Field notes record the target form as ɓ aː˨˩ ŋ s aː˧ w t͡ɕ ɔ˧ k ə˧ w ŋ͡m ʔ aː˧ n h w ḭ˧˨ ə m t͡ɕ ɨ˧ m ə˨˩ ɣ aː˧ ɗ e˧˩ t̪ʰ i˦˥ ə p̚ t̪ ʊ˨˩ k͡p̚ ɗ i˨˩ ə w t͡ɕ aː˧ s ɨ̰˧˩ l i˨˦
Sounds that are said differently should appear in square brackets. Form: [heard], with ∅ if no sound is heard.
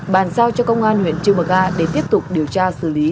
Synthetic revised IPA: ɓ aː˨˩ [n] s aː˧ w t͡ɕ ɔ˧ k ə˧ w ŋ͡m ʔ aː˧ n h w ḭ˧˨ ə [n] t͡ɕ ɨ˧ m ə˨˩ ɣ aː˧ ɗ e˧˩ [t̪] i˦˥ ə p̚ t̪ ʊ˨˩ k͡p̚ ɗ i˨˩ ə w t͡ɕ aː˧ s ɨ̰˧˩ l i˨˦